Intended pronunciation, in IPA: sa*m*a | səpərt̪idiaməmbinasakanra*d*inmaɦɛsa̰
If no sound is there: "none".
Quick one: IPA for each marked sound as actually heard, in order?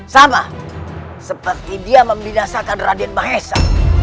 m, d

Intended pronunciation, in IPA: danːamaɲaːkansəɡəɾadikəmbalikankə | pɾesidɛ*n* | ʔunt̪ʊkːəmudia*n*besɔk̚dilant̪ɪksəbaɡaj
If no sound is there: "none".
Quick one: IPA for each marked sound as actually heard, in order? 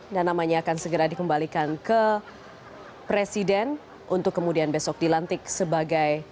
n, n

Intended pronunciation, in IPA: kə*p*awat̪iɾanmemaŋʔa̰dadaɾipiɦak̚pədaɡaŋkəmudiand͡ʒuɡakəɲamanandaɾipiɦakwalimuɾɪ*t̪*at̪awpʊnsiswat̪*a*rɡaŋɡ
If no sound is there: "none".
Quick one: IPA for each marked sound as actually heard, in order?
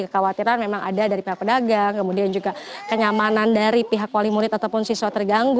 k, t̪, ə

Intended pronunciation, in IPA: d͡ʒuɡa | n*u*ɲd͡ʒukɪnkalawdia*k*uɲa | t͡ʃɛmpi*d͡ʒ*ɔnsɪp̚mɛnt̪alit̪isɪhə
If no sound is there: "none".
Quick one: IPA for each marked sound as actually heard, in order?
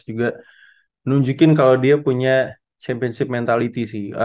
u, p, none

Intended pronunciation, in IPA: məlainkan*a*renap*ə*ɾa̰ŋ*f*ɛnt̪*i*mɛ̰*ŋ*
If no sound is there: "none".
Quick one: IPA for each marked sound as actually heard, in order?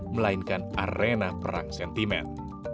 a, ə, s, i, n

